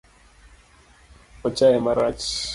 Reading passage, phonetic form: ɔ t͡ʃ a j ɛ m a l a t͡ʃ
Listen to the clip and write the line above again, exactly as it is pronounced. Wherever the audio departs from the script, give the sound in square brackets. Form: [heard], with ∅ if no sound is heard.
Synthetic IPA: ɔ t͡ʃ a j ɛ m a [ɾ] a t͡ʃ